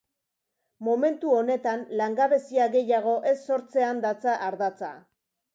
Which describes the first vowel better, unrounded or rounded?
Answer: rounded